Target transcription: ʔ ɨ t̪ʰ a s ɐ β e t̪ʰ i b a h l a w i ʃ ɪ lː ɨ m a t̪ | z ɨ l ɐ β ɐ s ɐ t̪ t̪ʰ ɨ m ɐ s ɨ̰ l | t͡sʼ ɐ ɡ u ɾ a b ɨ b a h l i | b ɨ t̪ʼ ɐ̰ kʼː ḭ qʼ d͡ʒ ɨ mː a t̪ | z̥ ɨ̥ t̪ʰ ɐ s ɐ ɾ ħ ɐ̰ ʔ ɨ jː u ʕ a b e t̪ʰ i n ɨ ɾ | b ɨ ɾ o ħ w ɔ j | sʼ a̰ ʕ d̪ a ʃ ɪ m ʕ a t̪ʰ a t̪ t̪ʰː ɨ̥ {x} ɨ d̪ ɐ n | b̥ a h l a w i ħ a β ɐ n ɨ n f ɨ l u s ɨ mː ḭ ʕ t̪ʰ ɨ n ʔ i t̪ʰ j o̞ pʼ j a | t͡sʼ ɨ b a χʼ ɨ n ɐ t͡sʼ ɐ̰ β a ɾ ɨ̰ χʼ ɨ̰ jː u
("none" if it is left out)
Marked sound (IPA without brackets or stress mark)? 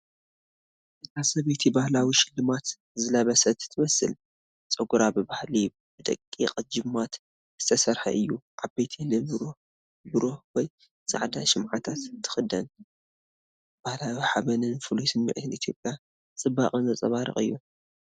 x